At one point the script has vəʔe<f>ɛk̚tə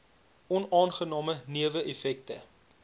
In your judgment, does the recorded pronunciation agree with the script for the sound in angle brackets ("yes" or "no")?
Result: yes